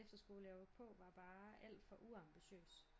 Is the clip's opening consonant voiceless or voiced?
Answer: voiceless